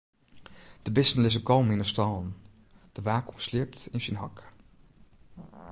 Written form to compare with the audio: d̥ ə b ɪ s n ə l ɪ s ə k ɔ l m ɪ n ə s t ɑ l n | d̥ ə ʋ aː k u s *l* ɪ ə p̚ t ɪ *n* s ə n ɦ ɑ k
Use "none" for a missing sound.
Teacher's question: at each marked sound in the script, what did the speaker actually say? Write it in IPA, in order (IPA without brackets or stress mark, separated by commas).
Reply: l, n